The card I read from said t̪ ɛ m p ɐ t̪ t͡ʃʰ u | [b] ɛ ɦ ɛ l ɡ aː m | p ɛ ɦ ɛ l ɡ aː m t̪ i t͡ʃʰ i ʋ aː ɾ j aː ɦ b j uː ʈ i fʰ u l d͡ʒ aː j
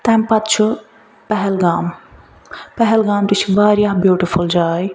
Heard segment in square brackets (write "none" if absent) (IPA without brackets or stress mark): p